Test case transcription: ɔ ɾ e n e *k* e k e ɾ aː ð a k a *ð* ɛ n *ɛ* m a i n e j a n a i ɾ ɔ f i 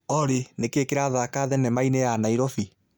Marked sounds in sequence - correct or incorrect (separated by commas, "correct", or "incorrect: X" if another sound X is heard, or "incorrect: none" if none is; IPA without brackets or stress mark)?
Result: correct, correct, correct